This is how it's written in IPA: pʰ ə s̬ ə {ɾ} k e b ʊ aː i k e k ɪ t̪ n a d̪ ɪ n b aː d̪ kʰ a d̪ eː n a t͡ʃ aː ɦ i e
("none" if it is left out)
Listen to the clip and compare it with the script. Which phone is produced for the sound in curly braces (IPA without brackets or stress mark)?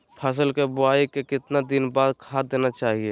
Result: l